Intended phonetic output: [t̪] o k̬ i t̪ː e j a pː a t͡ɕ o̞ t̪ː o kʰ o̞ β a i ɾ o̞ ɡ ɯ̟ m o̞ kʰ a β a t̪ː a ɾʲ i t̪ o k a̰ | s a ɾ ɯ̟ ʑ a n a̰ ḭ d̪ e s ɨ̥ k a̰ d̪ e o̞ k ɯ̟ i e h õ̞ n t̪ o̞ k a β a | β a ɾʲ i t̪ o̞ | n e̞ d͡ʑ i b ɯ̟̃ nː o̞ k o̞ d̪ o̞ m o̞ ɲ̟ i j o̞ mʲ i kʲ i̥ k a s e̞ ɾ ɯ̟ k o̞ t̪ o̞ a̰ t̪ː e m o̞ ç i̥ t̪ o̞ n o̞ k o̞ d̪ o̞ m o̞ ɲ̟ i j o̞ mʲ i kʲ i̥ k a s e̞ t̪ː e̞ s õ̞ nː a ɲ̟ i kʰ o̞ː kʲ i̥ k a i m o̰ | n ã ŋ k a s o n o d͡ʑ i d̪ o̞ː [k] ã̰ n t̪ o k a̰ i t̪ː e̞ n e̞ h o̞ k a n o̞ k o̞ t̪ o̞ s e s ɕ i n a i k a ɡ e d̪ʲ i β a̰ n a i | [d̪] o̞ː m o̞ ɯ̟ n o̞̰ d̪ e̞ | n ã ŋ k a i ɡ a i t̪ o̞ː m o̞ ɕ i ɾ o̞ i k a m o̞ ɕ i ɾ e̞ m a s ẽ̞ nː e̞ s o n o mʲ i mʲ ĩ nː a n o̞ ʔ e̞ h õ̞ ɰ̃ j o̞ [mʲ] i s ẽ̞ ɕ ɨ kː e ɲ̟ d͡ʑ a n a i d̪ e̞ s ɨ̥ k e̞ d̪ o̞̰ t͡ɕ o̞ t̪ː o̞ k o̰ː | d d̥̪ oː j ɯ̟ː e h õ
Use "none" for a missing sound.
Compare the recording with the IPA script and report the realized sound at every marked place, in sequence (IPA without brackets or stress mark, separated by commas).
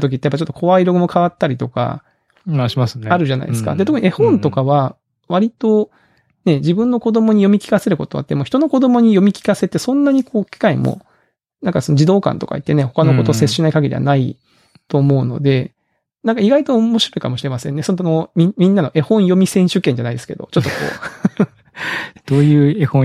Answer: t̪, k, t̪, mʲ